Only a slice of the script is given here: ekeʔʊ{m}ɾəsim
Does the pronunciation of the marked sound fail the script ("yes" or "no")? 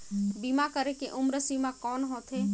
no